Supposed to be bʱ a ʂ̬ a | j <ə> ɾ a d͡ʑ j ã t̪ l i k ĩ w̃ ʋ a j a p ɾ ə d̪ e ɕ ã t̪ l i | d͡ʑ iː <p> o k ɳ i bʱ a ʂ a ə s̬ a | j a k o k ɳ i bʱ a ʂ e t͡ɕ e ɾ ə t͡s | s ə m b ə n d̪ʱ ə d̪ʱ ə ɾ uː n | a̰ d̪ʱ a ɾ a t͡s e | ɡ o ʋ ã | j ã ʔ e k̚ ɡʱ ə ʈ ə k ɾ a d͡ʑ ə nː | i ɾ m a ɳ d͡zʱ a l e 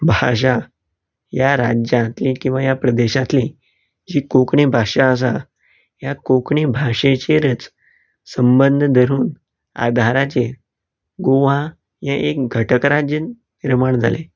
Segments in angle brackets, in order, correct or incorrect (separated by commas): incorrect, incorrect